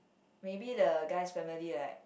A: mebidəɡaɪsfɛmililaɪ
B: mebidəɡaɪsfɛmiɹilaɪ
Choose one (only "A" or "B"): A